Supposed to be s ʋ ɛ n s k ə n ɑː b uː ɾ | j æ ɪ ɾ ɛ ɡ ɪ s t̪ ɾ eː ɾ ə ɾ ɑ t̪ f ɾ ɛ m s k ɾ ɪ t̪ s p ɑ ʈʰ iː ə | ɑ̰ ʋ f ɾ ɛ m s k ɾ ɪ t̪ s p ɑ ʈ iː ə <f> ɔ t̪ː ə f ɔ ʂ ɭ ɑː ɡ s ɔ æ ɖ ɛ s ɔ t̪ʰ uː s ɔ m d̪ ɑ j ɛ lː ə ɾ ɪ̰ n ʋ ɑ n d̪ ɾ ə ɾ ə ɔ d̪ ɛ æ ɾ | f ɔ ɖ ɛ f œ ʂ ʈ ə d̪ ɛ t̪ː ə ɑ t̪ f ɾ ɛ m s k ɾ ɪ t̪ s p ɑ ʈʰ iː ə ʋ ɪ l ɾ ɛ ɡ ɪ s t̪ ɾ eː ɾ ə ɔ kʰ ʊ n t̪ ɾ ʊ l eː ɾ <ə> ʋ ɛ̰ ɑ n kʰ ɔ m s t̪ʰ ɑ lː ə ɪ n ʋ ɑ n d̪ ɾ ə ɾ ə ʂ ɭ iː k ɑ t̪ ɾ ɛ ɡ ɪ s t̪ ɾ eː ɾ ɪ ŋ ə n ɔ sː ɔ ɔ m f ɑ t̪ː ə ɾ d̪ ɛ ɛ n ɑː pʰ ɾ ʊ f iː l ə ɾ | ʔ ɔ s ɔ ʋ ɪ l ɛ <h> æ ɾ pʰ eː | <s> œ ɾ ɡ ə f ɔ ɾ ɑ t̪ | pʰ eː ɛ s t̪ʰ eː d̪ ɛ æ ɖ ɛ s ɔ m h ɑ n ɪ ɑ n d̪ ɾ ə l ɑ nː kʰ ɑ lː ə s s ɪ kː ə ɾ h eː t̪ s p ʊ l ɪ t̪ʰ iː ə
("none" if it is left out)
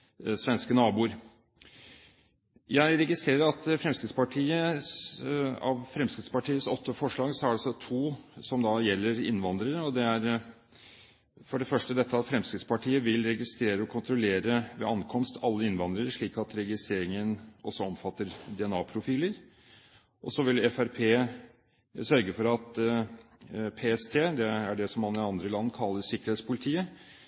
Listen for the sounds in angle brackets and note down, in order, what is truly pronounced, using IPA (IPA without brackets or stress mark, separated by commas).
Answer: s, ə, f, s